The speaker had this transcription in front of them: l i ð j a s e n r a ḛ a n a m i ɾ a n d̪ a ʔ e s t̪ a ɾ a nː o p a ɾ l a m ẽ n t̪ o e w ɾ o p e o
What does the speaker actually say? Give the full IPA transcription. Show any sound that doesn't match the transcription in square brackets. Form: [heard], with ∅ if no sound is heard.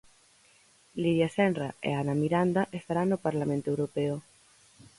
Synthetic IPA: l i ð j a s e n r a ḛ a n a m i ɾ a n d̪ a ʔ e s t̪ a ɾ a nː o p a ɾ l a m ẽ n t̪ o e w ɾ o p e o

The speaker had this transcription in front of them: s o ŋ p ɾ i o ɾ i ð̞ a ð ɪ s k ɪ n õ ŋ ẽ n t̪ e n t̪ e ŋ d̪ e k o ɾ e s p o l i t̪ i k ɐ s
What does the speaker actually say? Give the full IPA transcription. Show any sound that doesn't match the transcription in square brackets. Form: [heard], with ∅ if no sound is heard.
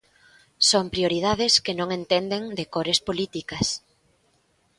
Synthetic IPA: s o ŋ p ɾ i o ɾ i ð̞ a ð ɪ s k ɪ n õ ŋ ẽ n t̪ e n [d̪] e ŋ d̪ e k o ɾ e s p o l i t̪ i k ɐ s

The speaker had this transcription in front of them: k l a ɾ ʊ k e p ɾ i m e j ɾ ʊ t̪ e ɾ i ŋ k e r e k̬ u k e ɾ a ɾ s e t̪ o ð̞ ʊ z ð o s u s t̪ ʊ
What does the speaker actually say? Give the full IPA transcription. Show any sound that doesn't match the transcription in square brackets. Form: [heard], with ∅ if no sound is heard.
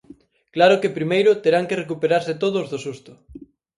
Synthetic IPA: k l a ɾ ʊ k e p ɾ i m e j ɾ ʊ t̪ e ɾ [a] ŋ k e r e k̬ u [p] e ɾ a ɾ s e t̪ o ð̞ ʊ z ð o s u s t̪ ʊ

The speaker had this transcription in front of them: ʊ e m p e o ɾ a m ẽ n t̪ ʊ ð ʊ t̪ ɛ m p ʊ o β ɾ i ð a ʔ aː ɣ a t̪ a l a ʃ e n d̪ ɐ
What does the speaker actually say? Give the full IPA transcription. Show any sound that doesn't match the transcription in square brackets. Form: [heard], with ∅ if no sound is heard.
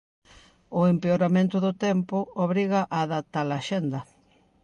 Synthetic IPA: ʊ e m p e o ɾ a m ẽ n t̪ ʊ ð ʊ t̪ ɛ m p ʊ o β ɾ i [ɣ] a ʔ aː [ð] a t̪ a l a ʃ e n d̪ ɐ

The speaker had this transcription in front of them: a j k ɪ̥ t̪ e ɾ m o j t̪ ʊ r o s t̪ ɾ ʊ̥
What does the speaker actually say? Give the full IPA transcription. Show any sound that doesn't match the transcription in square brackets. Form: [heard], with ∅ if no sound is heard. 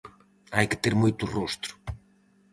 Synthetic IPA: a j k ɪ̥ t̪ e ɾ m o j t̪ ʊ r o s t̪ ɾ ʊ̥

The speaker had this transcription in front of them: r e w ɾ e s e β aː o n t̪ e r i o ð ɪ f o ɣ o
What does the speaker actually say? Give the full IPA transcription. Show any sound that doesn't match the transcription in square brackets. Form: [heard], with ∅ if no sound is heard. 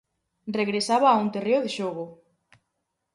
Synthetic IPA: r e [ɣ] ɾ e s [a] β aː [u] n t̪ e r [e] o ð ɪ [ʃ] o ɣ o

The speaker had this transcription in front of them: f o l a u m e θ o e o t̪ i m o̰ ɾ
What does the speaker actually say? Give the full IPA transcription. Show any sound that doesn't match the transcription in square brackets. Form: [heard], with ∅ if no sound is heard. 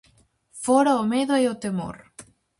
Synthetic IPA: f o [ɾ] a [o] m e [ð] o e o t̪ [e] m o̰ ɾ

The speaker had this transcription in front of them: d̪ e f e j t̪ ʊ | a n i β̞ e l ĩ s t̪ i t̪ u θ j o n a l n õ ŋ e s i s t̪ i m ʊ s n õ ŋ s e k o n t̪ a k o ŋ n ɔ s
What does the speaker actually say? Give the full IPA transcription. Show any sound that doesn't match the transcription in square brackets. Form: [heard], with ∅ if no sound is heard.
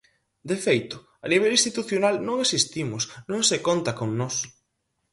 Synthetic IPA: d̪ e f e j t̪ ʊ | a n i β̞ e l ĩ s t̪ i t̪ u θ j o n a l n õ ŋ e s i s t̪ i m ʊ s n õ ŋ s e k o n t̪ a k o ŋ n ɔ s

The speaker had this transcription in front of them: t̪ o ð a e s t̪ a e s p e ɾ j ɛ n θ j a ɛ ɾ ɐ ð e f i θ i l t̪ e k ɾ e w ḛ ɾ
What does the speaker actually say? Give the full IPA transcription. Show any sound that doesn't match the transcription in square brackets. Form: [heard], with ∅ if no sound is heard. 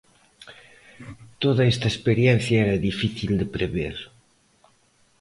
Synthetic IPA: t̪ o ð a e s t̪ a e s p e ɾ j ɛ n θ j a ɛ ɾ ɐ ð [i] f i θ i l [d̪] e [p] ɾ e [β] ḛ ɾ

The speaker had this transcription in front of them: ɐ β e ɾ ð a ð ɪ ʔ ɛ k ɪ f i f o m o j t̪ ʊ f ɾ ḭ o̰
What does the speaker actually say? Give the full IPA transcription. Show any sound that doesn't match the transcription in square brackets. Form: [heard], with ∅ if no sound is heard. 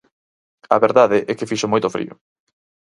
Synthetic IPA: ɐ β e ɾ ð a ð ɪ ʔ ɛ k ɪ f i [ʃ] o m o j t̪ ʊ f ɾ ḭ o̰

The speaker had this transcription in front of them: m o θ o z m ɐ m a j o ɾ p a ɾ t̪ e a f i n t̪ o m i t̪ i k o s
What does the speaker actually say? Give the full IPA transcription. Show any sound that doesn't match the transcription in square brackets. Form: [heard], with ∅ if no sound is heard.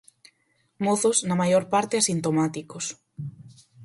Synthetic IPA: m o θ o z [n] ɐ m a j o ɾ p a ɾ t̪ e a [s] i n t̪ o m [a] t̪ i k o s

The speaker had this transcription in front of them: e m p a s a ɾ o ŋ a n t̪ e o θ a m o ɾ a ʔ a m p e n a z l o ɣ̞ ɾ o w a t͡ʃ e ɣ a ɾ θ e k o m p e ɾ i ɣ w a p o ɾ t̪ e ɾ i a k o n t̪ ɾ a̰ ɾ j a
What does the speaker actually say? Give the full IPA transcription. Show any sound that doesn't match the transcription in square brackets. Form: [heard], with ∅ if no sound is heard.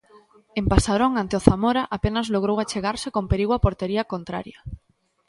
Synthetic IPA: e m p a s a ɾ o ŋ a n t̪ e o θ a m o ɾ a ʔ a [∅] p e n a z l o ɣ̞ ɾ o w a t͡ʃ e ɣ a ɾ [s] e k o m p e ɾ i ɣ w a p o ɾ t̪ e ɾ i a k o n t̪ ɾ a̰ ɾ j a

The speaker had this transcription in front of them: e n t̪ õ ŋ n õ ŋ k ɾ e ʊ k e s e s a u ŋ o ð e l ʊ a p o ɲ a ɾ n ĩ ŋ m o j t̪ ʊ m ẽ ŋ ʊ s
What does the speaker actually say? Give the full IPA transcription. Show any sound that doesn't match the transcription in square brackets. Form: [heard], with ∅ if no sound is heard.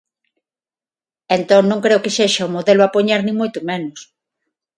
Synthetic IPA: e n t̪ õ ŋ n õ ŋ k ɾ e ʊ k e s e [ʃ] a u [m] o ð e l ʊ a p o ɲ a ɾ n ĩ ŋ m o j t̪ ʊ m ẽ [n] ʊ s

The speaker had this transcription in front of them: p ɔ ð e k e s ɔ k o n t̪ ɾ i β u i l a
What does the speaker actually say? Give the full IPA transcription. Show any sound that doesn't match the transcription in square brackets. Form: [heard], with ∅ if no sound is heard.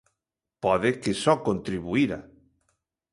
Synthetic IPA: p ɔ ð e k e s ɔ k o n t̪ ɾ i β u i [ɾ] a

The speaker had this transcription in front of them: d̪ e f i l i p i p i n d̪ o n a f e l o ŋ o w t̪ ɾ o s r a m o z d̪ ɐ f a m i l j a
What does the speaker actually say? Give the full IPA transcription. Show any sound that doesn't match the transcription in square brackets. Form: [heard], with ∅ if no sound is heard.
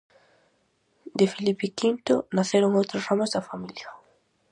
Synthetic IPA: d̪ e f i l i p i [k] i n [t̪] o n a [θ] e [ɾ] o ŋ o w t̪ ɾ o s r a m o z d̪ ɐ f a m i l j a

